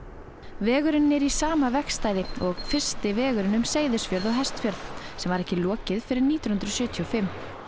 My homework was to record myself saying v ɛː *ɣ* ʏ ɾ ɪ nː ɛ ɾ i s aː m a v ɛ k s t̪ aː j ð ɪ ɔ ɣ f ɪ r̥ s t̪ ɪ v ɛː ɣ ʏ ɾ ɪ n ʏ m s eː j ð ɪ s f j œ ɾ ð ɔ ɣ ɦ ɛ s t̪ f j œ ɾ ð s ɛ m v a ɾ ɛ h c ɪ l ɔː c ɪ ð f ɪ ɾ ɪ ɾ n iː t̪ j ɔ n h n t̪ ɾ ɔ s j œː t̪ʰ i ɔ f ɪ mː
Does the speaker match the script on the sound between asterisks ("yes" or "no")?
yes